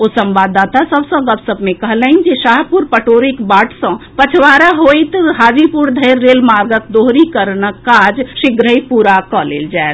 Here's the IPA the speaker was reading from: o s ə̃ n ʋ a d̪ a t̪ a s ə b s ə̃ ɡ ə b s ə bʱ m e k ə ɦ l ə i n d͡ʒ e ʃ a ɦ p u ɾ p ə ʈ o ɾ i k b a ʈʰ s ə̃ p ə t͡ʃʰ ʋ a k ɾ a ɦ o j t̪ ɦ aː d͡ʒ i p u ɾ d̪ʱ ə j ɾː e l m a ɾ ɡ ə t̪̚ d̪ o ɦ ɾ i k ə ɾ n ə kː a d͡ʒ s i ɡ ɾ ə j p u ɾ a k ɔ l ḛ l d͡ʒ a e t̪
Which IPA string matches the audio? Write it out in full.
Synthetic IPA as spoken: o s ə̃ m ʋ a d̪ a t̪ a s ə b s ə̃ ɡ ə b s ə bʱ m e k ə ɦ l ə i n d͡ʒ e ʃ a ɦ p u ɾ p ə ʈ o ɾ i k b a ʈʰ s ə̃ p ə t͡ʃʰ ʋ a ɾ a ɦ o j t̪ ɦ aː d͡ʒ i p u ɾ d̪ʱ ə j ɾː e l m a ɾ ɡ ə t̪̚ d̪ o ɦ ɾ i k ə ɾ n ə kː a d͡ʒ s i ɡ ɾ ə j p u ɾ a k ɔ l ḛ l d͡ʒ a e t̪

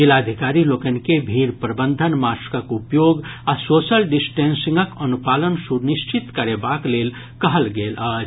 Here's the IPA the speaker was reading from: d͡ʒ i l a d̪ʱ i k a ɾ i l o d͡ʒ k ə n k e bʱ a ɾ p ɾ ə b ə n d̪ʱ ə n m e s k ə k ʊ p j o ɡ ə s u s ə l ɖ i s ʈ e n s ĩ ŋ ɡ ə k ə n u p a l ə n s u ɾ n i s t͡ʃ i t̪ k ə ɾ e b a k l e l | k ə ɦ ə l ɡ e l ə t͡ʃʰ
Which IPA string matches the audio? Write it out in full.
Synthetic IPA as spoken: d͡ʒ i l a d̪ʱ i k a ɾ i l o k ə n k e bʱ i ɾ p ɾ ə b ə n d̪ʱ ə n m a s k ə k u p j o ɡ a s o s ə l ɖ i s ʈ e n s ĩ ŋ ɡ ə k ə n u p a l ə n s u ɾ n i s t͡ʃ i t̪ k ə ɾ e b a k l e l | k ə ɦ ə l ɡ e l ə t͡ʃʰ

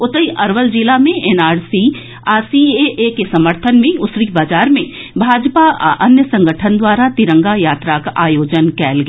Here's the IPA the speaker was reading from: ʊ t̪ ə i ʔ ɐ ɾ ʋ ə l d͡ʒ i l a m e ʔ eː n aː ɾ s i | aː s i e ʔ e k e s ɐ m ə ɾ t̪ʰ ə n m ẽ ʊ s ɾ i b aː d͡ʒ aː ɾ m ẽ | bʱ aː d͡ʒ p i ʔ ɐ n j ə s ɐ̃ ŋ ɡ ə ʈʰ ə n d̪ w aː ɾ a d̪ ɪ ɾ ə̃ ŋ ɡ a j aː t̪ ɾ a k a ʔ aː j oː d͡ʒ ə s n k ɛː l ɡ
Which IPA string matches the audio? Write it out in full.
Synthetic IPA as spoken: ʊ t̪ ə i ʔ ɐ ɾ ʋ ə l d͡ʒ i l a m ẽ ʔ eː n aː ɾ s i | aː s i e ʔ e k e s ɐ m ə ɾ t̪ʰ ə n m ẽ ʊ s ɾ i b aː d͡ʒ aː ɾ m ẽ | bʱ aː d͡ʒ p a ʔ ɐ n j ə s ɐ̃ ŋ ɡ ə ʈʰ ə n d̪ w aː ɾ a t̪ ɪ ɾ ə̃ ŋ ɡ a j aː t̪ ɾ a k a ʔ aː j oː d͡ʒ ə n k ɛː l ɡ

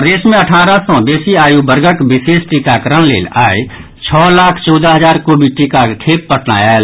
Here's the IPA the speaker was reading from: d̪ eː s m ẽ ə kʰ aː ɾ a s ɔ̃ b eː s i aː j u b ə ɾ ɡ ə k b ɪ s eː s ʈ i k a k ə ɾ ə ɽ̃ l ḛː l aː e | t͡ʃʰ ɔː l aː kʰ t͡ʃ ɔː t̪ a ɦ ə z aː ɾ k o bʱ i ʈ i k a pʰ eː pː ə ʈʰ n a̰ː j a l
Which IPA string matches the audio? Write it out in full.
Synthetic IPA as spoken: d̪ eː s m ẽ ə ʈʰ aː ɾ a s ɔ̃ b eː s i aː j u b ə ɾ ɡ ə k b ɪ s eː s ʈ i k a k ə ɾ ə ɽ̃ l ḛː l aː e | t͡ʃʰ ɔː l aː kʰ t͡ʃ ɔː d̪ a ɦ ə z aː ɾ k o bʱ i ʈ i k a kʰ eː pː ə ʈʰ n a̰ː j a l

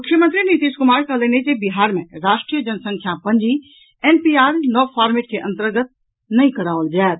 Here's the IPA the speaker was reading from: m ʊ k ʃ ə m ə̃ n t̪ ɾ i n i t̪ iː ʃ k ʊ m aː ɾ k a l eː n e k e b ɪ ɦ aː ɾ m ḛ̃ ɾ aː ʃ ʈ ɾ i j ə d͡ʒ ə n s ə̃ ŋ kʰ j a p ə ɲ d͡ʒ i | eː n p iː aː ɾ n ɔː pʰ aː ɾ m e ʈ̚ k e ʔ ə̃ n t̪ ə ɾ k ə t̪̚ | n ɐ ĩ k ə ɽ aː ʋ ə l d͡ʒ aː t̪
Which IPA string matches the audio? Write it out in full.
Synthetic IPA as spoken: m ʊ k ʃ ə m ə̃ n t̪ ɾ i n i t̪ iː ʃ k ʊ m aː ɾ k a l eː n e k e b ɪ ɦ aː ɾ m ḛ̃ ɾ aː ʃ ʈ ɾ i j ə d͡ʒ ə n s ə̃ ŋ kʰ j a p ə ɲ d͡ʒ i | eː n p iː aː ɾ n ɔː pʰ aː ɾ m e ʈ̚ k e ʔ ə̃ n t̪ ə ɾ ɡ ə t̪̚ | n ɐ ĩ k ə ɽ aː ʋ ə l d͡ʒ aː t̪

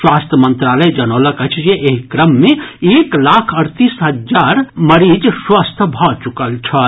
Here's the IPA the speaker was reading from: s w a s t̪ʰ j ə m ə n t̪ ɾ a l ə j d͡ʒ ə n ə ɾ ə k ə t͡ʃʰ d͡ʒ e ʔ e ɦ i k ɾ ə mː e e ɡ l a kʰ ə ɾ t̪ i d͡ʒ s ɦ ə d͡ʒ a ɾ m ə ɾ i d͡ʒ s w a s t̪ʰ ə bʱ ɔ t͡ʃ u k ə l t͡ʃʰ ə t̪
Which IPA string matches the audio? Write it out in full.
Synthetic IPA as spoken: s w a s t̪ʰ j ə m ə n t̪ ɾ a l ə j d͡ʒ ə n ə l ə k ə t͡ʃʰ d͡ʒ e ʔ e ɦ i k ɾ ə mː e e k l a kʰ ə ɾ t̪ i s ɦ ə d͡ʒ a ɾ m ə ɾ i d͡ʒ s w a s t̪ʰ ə bʱ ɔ t͡ʃ u k ə l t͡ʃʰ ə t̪

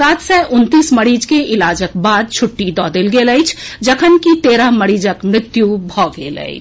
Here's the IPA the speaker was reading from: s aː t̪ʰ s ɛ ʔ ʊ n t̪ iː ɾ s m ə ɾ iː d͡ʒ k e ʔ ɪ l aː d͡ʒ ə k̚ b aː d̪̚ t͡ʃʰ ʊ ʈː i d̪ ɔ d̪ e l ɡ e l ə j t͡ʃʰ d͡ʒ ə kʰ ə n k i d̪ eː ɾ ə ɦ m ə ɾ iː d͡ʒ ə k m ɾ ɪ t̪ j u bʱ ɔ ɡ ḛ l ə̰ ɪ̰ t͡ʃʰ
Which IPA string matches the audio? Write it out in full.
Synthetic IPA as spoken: s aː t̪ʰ s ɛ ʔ ʊ n t̪ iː s m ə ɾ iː d͡ʒ k e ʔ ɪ l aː d͡ʒ ə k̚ b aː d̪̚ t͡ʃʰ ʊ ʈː i d̪ ɔ d̪ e l ɡ e l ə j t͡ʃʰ d͡ʒ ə kʰ ə n k i t̪ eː ɾ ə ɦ m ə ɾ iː d͡ʒ ə k m ɾ ɪ t̪ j u bʱ ɔ ɡ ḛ l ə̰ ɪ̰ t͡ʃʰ

